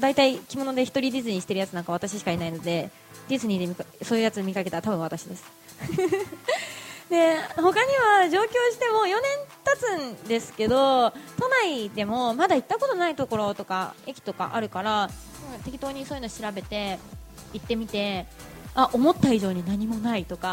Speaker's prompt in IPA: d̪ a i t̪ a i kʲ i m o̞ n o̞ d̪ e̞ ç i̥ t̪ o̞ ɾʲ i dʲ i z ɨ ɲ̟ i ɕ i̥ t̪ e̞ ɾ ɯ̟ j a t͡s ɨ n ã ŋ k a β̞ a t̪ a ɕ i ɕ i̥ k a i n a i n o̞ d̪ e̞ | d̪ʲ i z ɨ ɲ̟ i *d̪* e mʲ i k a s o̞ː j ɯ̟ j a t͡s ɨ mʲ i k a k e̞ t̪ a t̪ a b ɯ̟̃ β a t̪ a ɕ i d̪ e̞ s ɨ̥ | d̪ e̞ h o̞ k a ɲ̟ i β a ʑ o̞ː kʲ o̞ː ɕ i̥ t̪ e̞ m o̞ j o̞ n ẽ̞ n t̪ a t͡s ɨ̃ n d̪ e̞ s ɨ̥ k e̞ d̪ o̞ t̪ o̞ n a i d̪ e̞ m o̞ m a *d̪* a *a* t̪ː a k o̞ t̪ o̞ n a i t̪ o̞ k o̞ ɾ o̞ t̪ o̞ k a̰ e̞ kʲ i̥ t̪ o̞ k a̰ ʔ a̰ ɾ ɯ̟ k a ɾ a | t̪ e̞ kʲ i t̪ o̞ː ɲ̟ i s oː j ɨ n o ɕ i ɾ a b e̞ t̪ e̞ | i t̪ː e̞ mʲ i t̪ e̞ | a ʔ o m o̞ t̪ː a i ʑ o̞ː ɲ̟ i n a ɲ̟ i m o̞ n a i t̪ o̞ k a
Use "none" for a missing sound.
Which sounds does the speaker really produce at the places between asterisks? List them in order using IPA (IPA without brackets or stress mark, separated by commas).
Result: d̪, d̪, i